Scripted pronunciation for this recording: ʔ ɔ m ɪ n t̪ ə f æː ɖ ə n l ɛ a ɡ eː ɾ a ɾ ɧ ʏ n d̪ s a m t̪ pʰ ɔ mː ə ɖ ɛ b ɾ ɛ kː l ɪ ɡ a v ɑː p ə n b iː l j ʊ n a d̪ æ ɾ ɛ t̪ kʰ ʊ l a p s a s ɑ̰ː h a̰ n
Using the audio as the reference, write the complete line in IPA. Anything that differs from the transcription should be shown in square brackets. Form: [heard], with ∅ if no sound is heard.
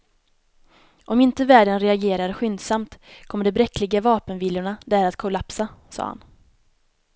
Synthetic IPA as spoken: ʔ ɔ m ɪ n t̪ ə [v] æː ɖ ə n [ɾ] ɛ a ɡ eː ɾ a ɾ ɧ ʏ n d̪ s a m t̪ [kʰ] ɔ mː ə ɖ ɛ b ɾ ɛ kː l ɪ ɡ a v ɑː p ə n [v] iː l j ʊ [ɳ] a d̪ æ ɾ [a] t̪ kʰ ʊ l a p s a s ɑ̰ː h a̰ n